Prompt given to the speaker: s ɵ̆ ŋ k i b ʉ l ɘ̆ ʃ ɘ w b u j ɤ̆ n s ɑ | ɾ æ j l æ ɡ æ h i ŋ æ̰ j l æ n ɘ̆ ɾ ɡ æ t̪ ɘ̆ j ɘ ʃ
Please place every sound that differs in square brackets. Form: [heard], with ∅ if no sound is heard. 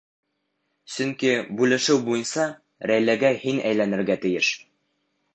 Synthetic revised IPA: s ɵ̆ ŋ k i b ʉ l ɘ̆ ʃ ɘ w b u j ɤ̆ n s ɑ | ɾ æ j l æ ɡ æ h i [n] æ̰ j l æ n ɘ̆ ɾ ɡ æ t̪ ɘ̆ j ɘ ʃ